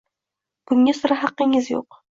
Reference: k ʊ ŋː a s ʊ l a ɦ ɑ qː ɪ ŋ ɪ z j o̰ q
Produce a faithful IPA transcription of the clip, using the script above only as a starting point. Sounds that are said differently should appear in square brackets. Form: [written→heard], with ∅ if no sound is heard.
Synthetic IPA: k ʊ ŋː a s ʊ [l→ɾ] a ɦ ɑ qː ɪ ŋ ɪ z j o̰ q